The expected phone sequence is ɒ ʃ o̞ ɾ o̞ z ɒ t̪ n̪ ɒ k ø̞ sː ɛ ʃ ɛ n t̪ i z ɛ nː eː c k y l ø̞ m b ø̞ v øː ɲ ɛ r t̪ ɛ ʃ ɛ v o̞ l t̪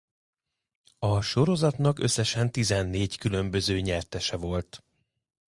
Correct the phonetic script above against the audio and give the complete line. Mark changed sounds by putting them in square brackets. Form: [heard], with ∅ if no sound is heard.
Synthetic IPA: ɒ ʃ o̞ ɾ o̞ z ɒ t̪ n̪ ɒ k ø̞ sː ɛ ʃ ɛ n t̪ i z ɛ nː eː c k y l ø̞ m b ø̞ [z] øː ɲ ɛ r t̪ ɛ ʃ ɛ v o̞ l t̪